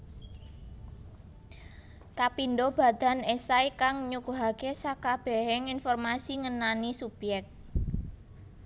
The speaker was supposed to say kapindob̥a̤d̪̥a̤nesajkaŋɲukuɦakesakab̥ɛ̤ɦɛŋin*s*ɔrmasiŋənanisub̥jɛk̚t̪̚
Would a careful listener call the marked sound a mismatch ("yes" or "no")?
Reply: yes